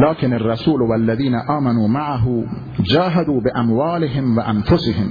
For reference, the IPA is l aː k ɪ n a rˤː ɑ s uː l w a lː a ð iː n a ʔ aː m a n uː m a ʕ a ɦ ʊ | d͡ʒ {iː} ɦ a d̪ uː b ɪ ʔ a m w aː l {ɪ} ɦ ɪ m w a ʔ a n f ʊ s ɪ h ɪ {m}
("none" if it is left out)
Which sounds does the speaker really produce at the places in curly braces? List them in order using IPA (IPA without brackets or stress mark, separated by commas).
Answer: aː, ɪ, m